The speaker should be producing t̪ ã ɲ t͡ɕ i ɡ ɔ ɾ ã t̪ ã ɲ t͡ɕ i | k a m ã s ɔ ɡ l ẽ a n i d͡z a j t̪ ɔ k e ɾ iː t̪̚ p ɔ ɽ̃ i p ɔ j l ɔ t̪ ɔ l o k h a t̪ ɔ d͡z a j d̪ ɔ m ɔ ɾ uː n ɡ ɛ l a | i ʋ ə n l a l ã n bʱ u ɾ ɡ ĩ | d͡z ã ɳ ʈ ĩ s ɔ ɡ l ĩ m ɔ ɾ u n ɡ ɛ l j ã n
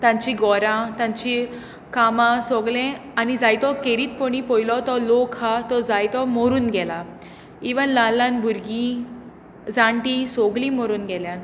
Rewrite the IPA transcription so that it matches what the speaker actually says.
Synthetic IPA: t̪ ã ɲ t͡ɕ i ɡ ɔ ɾ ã t̪ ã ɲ t͡ɕ i | k a m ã s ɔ ɡ l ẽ a n i d͡z a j t̪ ɔ k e ɾ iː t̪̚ p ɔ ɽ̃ i p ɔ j l ɔ t̪ ɔ l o k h a t̪ ɔ d͡z a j t̪ ɔ m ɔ ɾ uː n ɡ ɛ l a | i ʋ ə n l a l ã n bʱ u ɾ ɡ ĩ | d͡z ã ɳ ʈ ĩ s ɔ ɡ l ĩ m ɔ ɾ uː n ɡ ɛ l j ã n